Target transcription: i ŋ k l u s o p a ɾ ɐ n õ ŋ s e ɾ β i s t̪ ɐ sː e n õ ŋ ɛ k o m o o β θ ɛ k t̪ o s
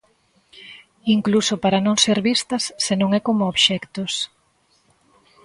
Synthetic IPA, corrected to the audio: i ŋ k l u s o p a ɾ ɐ n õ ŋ s e ɾ β i s t̪ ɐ sː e n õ ŋ ɛ k o m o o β ʃ ɛ k t̪ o s